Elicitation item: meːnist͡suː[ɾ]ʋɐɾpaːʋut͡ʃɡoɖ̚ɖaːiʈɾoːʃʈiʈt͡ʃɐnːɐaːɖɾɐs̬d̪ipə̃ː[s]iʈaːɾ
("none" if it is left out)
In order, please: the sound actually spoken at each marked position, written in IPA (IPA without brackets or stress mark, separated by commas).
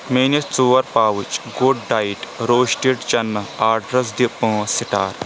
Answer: none, s